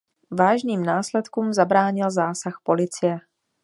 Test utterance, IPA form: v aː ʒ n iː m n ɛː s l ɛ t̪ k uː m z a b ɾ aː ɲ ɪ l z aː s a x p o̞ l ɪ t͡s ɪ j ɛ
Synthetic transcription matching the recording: v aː ʒ n iː m n aː s l ɛ t̪ k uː m z a b ɾ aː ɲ ɪ l z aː s a x p o̞ l ɪ t͡s ɪ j ɛ